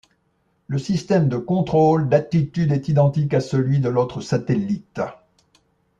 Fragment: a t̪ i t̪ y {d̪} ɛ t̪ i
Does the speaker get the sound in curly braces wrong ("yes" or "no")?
no